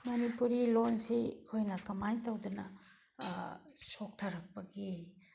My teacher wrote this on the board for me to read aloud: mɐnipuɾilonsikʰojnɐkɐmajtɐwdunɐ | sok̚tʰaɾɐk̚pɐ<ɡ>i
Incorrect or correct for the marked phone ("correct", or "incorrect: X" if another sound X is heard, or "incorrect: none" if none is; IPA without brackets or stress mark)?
correct